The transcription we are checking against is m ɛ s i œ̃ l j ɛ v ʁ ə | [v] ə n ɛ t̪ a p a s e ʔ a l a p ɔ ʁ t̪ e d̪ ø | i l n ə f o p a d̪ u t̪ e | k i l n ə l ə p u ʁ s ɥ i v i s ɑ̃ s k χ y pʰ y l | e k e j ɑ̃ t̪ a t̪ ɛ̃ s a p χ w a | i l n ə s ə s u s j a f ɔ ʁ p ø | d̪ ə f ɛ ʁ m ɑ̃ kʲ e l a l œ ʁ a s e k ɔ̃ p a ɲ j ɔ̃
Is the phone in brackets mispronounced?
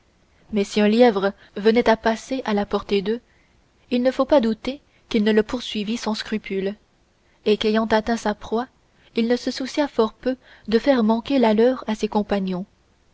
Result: no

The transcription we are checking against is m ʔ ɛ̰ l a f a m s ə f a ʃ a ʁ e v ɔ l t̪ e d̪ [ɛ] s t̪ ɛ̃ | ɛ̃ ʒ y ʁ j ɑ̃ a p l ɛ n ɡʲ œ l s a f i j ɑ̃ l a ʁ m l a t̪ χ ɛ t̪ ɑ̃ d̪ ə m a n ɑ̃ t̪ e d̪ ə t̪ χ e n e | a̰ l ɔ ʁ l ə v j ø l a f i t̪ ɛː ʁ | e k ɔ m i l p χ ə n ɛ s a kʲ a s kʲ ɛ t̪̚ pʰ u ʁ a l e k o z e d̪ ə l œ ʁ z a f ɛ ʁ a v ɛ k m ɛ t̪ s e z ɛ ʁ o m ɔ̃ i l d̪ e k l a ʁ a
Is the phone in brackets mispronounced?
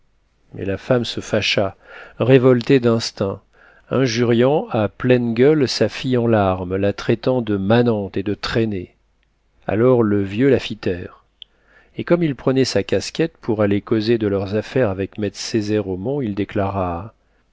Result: yes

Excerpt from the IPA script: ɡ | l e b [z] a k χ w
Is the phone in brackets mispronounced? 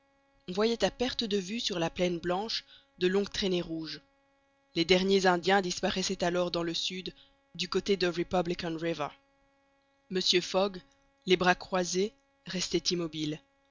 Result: yes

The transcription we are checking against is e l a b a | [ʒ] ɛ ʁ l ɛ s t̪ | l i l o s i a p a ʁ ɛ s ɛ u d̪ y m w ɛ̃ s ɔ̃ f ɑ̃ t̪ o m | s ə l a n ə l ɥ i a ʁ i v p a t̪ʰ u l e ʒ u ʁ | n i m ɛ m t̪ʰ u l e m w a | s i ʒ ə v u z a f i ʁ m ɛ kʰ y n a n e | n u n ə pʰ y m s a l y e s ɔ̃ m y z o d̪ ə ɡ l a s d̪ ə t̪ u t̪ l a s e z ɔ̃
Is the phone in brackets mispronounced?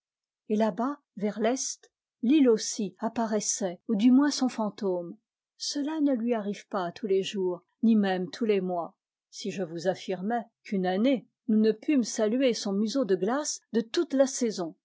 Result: yes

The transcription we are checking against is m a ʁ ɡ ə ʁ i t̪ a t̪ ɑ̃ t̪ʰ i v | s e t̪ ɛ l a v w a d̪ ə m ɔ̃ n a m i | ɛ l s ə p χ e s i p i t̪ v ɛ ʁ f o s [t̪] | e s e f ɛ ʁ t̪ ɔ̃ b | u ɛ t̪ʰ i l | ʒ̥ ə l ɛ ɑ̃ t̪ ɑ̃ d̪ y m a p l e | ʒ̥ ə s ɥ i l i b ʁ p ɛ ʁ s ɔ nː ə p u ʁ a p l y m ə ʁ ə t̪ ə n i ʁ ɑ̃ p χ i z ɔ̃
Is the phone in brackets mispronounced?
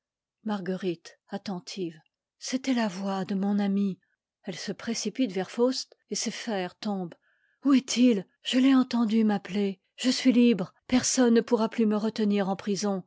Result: no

